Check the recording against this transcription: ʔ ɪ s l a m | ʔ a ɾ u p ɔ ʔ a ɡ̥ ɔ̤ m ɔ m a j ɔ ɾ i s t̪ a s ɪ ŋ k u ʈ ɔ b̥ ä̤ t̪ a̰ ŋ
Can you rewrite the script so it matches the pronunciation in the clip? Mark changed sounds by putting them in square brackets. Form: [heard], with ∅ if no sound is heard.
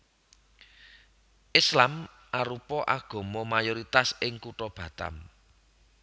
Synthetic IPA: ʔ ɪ s l a m | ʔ a ɾ u p ɔ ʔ a ɡ̥ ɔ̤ m ɔ m a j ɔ ɾ i [∅] t̪ a s ɪ ŋ k u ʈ ɔ b̥ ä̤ t̪ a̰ [m]

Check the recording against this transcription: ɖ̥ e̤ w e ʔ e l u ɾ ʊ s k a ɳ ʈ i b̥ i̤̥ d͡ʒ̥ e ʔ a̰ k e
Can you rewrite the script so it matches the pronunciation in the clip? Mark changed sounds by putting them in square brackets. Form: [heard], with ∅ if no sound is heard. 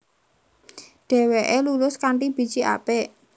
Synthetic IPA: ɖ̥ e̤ w e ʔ e l u [l] ʊ s k a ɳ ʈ i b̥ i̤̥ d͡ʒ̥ [i] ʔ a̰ [p] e

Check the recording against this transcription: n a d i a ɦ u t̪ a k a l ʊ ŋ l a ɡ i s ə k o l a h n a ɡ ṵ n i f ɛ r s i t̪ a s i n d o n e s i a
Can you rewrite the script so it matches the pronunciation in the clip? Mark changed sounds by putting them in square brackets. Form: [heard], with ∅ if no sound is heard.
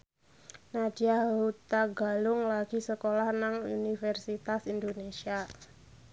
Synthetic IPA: n a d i a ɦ u t̪ a [ɡ] a l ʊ ŋ l a ɡ i s ə k o l a h n a [ŋ] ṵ n i f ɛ r s i t̪ a s i n d o n e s i a

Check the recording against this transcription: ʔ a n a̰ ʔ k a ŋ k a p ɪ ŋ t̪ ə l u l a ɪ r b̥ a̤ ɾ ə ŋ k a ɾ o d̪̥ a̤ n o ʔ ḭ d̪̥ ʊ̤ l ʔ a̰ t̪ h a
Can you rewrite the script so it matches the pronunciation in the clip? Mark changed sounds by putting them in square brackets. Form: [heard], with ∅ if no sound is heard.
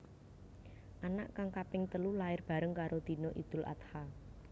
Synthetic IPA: ʔ a n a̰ ʔ k a ŋ k a p ɪ ŋ t̪ ə l u l a ɪ r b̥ a̤ ɾ ə ŋ k a ɾ o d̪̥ [i̤] n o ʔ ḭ d̪̥ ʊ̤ l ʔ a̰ t̪ h a

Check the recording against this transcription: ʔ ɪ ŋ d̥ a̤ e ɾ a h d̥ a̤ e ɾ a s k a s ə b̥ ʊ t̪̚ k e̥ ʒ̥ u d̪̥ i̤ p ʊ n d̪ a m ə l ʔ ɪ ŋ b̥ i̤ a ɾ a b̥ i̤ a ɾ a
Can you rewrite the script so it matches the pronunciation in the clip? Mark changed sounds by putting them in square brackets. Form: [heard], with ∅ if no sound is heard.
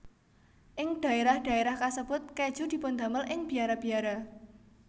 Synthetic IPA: ʔ ɪ ŋ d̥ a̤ e ɾ a h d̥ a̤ e ɾ a [h] k a s ə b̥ ʊ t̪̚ k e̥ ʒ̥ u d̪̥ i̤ p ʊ n d̪ a m ə l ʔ ɪ ŋ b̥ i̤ a ɾ a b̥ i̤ a ɾ a

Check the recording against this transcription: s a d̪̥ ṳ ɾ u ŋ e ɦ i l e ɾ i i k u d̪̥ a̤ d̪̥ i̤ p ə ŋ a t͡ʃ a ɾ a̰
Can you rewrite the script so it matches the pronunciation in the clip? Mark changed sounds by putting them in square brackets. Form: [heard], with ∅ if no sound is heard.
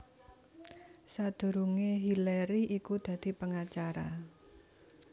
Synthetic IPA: s a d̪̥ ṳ ɾ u ŋ e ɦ i l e ɾ i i k u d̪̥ a̤ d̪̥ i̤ p ə ŋ a t͡ʃ a ɾ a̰

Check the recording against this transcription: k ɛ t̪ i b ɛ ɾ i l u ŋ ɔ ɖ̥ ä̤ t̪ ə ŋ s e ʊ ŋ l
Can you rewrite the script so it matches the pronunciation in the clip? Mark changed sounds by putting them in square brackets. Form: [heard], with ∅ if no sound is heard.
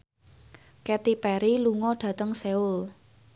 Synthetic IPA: k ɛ t̪ i [p] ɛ ɾ i l u ŋ ɔ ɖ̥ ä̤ t̪ ə ŋ s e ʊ [∅] l

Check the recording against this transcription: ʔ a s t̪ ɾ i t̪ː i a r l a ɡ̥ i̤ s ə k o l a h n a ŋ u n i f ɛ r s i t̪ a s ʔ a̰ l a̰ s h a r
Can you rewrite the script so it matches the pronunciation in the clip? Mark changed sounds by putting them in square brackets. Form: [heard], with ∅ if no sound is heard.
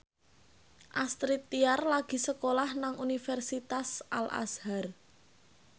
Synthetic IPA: ʔ a s t̪ ɾ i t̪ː i a r l a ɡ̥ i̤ s ə k o l a h n a ŋ u n i f ɛ r s i t̪ a s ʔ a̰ l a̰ s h a r

